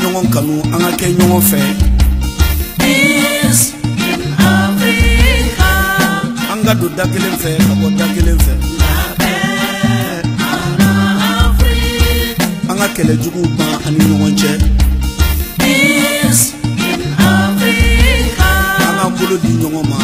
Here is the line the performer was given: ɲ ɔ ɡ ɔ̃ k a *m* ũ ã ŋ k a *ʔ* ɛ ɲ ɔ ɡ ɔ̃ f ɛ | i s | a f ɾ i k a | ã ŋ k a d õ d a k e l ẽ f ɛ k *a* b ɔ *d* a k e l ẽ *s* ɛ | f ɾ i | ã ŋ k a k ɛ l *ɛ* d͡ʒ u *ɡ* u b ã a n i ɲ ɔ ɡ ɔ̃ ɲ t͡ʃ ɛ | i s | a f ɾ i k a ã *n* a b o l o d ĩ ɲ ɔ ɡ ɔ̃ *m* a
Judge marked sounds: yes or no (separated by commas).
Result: no, no, yes, yes, no, yes, yes, no, yes